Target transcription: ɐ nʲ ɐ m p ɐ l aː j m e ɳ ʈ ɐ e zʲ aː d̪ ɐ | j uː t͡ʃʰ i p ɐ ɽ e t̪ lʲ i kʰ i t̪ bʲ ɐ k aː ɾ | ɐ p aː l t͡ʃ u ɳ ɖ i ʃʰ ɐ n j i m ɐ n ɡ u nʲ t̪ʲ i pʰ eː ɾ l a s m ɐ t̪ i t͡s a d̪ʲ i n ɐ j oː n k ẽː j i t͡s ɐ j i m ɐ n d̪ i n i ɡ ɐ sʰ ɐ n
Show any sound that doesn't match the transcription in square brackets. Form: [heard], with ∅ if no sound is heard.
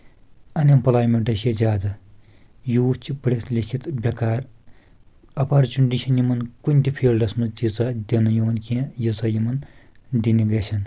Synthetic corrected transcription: ɐ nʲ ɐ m p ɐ l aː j m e ɳ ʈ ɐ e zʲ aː d̪ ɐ | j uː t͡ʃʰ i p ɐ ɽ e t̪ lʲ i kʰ i t̪ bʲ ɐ k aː ɾ | ɐ p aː [ɾ] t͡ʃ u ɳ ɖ i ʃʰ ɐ n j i m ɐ n [k] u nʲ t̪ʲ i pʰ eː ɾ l [ɐ] s m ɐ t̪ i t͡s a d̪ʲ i n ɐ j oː n k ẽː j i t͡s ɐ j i m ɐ n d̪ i n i ɡ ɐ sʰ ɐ n